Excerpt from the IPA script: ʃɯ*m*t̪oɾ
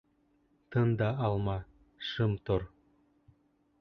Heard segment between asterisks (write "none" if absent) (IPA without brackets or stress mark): m